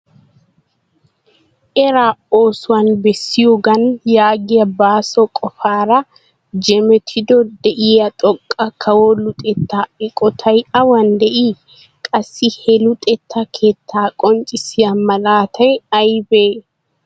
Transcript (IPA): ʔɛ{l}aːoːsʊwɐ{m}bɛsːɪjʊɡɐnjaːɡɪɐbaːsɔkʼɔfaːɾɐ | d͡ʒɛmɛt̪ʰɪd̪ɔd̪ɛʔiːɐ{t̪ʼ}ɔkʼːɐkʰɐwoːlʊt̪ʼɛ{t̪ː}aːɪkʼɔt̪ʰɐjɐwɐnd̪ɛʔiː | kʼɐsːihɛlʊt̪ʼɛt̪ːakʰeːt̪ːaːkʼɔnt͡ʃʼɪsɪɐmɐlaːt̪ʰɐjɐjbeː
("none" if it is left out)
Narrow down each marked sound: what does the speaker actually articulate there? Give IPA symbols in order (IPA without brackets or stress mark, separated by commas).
ɾ, n, t̪ʼ, t̪ː